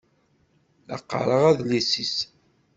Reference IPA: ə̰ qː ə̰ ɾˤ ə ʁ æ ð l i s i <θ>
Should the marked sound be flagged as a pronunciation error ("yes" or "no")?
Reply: yes